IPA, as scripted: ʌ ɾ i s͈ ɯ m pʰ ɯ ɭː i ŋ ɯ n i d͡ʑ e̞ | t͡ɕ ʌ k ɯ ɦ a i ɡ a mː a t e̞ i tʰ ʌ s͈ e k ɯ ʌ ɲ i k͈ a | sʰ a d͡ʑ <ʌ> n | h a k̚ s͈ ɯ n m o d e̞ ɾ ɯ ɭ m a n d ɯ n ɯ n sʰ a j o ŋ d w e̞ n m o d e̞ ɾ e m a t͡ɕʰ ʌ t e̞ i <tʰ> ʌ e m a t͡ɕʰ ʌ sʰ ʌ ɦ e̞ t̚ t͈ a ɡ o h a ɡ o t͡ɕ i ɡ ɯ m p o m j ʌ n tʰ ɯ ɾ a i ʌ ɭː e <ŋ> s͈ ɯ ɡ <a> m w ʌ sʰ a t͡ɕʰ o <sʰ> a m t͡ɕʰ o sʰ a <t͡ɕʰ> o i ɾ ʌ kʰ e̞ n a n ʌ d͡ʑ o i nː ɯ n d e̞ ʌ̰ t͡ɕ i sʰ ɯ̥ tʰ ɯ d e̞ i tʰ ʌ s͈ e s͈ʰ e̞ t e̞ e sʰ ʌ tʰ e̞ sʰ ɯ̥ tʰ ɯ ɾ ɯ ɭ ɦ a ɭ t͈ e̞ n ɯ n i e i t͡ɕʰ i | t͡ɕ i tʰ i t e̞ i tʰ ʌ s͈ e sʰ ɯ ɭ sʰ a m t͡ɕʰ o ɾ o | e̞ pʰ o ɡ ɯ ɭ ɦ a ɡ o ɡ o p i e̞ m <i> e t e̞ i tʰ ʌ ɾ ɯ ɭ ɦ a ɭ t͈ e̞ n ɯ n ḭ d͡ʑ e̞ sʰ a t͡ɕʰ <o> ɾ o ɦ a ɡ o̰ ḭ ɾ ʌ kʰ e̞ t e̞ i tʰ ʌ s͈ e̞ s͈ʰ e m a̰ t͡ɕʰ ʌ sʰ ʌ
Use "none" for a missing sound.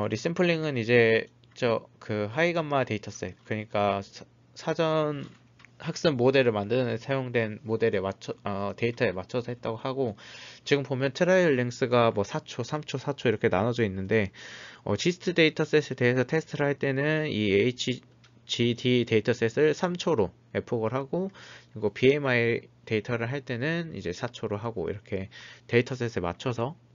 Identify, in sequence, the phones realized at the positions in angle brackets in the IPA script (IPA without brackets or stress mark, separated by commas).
ʌ, tʰ, ŋ, a, sʰ, t͡ɕʰ, a, o